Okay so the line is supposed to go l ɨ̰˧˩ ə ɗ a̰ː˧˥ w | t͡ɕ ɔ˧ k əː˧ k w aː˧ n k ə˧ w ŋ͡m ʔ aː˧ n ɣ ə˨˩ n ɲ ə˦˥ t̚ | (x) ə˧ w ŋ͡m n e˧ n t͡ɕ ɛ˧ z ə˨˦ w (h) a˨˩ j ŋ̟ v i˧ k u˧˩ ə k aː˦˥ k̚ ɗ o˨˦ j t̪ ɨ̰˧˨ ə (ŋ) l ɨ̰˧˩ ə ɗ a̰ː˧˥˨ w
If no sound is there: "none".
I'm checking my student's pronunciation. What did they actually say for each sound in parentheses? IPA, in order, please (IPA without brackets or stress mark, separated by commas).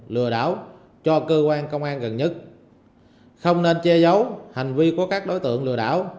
x, h, ŋ